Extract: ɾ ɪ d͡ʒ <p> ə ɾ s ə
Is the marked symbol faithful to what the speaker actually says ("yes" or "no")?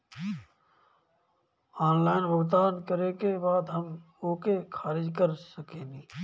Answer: no